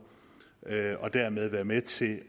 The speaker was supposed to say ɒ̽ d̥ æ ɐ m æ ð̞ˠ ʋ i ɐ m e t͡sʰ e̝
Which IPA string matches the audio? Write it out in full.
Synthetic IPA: ɒ̽ d̥ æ ɐ m e ð̞ˠ ʋ æ ɐ m e t͡sʰ e̝